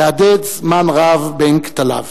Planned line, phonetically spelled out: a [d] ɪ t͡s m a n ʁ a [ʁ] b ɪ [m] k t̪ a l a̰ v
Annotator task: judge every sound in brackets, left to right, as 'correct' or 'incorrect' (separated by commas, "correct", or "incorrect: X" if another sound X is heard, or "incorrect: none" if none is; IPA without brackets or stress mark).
correct, incorrect: v, incorrect: ŋ